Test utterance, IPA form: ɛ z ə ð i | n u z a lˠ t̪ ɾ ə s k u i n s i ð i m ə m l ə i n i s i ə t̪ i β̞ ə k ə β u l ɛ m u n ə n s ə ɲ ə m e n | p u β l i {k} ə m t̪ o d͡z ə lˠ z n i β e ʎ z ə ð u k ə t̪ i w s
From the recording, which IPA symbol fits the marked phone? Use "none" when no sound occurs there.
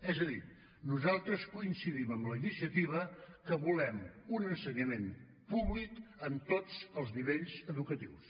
k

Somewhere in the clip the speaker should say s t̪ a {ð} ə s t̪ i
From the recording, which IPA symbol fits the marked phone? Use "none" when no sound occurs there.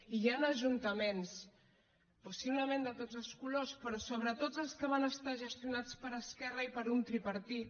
ʒ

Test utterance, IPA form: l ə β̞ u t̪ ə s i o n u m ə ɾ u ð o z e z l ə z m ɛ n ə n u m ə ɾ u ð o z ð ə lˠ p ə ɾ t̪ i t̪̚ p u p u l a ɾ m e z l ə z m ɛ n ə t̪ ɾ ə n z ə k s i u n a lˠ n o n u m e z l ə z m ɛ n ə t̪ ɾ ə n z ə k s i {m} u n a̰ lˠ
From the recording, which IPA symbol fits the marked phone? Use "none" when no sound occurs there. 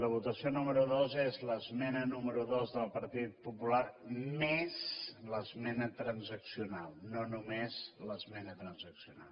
none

